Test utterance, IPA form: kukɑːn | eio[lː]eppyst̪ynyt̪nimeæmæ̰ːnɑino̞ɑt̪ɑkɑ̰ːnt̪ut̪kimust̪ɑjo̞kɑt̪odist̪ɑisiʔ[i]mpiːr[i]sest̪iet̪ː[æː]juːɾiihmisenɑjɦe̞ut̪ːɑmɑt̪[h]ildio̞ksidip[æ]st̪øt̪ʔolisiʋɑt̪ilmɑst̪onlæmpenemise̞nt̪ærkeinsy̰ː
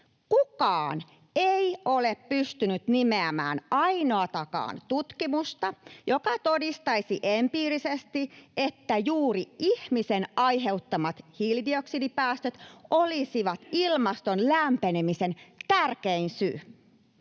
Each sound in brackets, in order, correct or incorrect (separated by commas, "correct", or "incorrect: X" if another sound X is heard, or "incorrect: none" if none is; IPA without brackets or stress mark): incorrect: l, incorrect: e, correct, incorrect: æ, correct, incorrect: æː